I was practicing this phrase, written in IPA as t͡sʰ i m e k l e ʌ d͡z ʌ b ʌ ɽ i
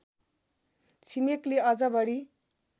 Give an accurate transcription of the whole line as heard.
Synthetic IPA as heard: t͡sʰ i m e k l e ʌ d͡z ʌ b ʌ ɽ i